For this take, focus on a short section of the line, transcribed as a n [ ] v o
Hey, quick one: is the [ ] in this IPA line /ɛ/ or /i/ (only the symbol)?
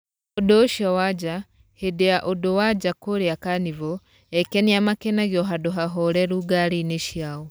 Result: i